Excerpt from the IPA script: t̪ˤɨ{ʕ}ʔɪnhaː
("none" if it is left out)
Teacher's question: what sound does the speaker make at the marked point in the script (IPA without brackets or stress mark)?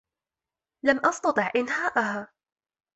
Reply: ʕ